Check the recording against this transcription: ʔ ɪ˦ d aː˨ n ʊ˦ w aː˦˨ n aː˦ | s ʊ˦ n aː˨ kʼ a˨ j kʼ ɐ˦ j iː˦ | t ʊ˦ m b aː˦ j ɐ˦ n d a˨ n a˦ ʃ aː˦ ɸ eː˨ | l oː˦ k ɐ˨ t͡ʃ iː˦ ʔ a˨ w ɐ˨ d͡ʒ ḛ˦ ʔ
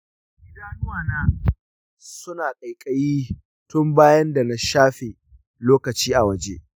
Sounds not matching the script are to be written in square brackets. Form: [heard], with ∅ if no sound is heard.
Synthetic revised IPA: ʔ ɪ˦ d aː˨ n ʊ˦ w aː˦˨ n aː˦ | s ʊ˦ n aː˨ kʼ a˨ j kʼ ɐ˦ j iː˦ | t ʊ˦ m b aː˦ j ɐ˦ n d a˨ n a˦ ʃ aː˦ ɸ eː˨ | l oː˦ k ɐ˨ t͡ʃ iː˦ ʔ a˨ w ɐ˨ d͡ʒ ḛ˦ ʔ

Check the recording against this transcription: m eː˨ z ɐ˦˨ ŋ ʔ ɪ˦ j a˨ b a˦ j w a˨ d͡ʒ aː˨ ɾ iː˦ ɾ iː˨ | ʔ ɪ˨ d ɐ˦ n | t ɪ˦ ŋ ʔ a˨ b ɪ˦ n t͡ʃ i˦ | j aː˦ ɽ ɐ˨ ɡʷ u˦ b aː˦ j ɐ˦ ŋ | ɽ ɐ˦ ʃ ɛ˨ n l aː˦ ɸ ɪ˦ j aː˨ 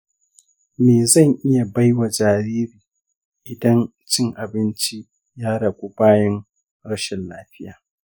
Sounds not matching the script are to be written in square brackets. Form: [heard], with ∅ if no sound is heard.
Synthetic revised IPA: m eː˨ z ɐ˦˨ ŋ ʔ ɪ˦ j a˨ b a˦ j w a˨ d͡ʒ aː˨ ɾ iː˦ ɾ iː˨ | ʔ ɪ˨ d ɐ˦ n | [t͡ʃ] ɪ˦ ŋ ʔ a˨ b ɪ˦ n t͡ʃ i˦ | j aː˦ ɽ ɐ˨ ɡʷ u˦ b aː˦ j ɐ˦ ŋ | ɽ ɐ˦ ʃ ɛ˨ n l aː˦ ɸ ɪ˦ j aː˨

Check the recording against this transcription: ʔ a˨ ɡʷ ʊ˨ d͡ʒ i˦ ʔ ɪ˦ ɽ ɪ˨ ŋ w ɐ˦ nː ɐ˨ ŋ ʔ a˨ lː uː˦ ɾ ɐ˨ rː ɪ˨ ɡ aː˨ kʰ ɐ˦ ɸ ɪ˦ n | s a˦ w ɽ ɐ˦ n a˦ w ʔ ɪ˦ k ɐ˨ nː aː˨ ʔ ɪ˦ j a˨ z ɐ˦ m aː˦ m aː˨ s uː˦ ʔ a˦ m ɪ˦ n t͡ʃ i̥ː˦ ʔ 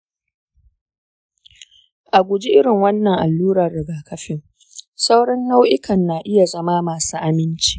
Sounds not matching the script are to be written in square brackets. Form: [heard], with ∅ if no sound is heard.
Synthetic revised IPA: ʔ a˨ ɡʷ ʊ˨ d͡ʒ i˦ ʔ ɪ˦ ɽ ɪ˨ ŋ w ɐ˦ nː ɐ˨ ŋ ʔ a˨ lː uː˦ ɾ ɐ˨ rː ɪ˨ ɡ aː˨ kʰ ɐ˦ ɸ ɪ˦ [ŋ] | s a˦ w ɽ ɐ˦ [nː] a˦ w ʔ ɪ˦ k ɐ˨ nː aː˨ ʔ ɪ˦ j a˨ z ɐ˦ m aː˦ m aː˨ s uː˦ ʔ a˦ m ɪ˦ n t͡ʃ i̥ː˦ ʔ

